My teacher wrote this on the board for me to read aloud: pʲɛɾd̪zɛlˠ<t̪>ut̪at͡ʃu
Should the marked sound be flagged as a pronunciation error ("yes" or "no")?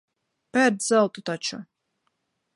no